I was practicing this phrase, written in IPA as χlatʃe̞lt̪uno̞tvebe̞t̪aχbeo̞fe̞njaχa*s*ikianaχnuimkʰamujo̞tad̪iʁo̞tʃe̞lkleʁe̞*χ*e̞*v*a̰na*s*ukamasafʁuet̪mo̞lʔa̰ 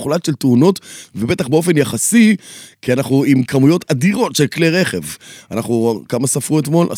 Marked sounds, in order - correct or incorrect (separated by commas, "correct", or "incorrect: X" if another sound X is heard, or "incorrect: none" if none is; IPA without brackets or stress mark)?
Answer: correct, correct, correct, incorrect: χ